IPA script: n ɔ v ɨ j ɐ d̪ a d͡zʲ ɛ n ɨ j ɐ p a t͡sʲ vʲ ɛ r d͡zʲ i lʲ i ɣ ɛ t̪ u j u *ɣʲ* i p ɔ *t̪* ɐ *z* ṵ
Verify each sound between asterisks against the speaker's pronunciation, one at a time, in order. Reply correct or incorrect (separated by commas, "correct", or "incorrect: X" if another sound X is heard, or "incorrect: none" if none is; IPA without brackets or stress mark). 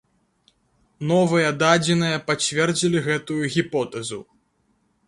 correct, correct, correct